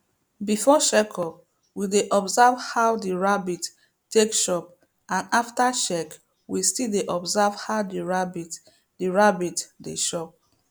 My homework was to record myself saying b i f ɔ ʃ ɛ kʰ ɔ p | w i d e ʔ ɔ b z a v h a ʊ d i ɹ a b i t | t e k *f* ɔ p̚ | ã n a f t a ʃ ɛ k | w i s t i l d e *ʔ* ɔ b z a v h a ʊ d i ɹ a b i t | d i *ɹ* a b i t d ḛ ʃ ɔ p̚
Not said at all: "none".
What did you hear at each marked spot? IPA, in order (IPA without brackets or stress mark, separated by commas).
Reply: ʃ, ʔ, ɹ